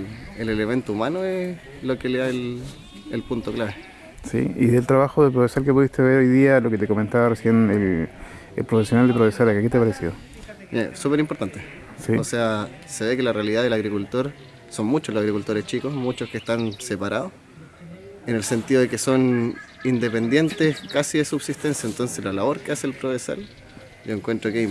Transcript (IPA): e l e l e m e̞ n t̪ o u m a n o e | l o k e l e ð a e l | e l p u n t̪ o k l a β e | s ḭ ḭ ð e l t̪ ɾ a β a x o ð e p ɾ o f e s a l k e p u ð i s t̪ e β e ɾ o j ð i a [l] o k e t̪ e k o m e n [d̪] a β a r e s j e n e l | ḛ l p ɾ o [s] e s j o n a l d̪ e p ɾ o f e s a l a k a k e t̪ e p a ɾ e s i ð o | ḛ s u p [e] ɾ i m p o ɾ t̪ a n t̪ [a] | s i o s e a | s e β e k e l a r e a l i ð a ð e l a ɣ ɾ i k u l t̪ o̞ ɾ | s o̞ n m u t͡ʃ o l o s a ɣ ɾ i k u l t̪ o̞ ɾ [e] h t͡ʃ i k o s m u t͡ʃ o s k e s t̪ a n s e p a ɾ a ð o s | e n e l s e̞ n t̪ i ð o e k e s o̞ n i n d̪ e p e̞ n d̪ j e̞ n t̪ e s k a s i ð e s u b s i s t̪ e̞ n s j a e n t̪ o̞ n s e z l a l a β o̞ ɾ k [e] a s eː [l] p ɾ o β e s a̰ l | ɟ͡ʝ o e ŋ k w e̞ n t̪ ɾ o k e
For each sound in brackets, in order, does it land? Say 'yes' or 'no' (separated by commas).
yes, no, no, yes, no, yes, yes, yes